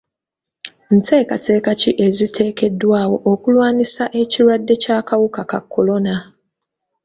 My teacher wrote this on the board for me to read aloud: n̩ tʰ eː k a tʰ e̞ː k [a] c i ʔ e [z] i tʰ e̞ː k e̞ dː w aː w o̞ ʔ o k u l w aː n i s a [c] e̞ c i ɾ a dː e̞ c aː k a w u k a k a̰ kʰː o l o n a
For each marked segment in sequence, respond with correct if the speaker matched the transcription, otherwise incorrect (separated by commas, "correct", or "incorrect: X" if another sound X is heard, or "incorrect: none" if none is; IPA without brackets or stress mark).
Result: correct, correct, incorrect: ʔ